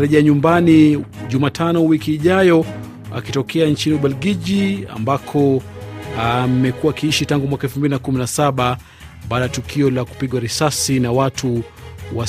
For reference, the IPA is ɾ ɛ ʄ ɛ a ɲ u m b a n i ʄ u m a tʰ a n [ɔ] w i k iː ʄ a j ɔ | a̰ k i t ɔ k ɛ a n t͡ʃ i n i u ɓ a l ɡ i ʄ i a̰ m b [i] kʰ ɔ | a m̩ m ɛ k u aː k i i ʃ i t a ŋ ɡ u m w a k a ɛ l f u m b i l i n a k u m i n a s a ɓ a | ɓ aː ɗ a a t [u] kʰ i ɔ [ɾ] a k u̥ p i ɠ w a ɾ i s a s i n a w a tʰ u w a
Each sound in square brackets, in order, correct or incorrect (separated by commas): correct, incorrect, correct, incorrect